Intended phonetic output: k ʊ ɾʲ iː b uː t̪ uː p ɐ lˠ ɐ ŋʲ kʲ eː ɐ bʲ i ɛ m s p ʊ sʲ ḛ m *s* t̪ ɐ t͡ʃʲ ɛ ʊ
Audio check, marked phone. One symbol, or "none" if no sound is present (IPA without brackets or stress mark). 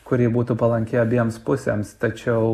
s